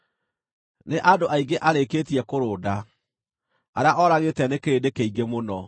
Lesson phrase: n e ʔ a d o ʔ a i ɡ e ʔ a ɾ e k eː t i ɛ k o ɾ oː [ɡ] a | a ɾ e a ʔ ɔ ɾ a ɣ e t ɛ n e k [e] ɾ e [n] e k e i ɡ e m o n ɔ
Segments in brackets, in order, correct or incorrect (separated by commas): incorrect, correct, incorrect